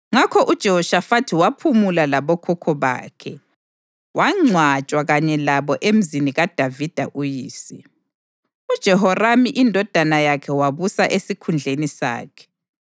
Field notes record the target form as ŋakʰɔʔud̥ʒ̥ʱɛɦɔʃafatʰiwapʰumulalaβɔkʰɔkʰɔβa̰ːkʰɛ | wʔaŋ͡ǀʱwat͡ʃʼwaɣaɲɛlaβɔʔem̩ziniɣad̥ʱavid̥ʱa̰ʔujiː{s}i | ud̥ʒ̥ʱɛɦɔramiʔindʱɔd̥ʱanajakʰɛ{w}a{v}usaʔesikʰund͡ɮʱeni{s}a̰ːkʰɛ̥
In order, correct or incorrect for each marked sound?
correct, correct, incorrect: β, correct

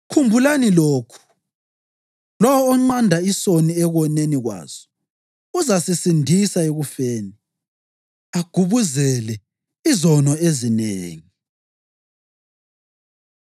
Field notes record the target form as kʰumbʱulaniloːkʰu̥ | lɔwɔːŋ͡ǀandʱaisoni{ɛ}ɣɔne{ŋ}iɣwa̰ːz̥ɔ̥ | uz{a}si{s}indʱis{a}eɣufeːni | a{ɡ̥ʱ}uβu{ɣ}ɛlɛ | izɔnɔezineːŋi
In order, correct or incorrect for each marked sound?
correct, incorrect: n, correct, correct, correct, correct, incorrect: z

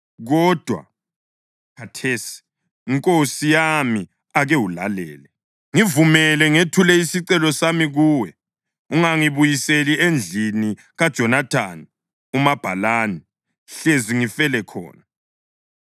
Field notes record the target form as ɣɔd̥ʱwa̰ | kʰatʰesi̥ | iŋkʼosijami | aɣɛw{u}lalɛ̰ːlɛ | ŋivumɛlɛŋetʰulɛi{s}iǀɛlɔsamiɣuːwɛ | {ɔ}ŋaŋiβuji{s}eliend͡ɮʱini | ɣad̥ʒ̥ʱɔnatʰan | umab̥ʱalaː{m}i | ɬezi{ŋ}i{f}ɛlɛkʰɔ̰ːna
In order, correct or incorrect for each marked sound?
correct, correct, incorrect: u, correct, incorrect: n, correct, correct

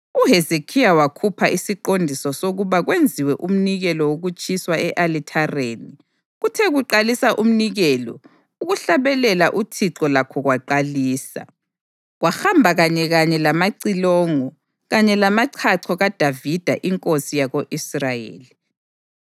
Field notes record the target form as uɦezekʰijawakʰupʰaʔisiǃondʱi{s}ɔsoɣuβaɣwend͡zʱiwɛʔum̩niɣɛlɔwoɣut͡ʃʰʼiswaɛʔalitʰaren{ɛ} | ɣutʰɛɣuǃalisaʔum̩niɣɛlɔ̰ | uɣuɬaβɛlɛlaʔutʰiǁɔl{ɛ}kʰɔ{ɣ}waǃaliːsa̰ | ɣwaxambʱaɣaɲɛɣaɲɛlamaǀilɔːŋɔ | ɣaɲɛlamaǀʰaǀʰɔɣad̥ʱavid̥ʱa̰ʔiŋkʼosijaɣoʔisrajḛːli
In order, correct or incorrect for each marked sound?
correct, incorrect: i, incorrect: a, correct

